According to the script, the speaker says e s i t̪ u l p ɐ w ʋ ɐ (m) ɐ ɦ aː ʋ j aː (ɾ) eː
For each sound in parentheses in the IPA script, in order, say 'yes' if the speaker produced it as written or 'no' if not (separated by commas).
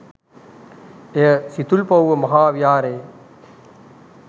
yes, yes